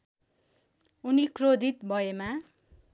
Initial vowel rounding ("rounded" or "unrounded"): rounded